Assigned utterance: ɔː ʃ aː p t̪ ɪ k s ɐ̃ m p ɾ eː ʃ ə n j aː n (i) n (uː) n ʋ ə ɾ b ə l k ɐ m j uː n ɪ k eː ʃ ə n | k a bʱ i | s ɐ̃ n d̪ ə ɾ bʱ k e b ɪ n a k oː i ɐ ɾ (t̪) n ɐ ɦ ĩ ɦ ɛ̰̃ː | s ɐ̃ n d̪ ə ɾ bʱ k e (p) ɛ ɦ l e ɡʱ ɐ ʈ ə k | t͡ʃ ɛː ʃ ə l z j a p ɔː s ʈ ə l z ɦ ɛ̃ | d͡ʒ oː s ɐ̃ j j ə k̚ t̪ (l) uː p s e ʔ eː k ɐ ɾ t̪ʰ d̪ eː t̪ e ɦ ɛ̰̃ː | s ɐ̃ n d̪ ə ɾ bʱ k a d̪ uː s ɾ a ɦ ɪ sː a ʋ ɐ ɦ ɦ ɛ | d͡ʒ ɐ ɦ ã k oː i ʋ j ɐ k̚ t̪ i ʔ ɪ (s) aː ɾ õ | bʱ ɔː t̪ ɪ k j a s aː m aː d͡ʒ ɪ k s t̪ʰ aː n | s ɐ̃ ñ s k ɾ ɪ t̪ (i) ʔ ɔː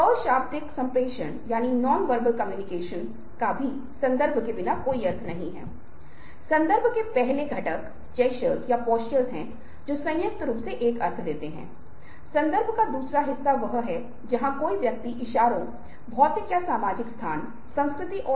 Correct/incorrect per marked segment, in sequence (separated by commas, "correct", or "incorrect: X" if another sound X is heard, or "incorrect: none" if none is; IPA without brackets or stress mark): correct, incorrect: ɔː, incorrect: t̪ʰ, correct, incorrect: ɾ, incorrect: ʃ, correct